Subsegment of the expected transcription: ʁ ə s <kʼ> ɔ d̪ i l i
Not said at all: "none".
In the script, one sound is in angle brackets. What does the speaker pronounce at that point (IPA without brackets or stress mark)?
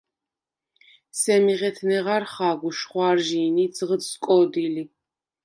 kʼ